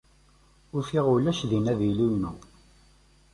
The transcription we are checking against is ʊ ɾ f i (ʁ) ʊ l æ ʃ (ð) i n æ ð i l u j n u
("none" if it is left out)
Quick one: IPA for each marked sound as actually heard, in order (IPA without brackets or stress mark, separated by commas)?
ʁ, ð